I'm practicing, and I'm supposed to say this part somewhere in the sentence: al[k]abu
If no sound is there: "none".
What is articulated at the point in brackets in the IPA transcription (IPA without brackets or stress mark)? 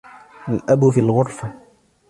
ʔ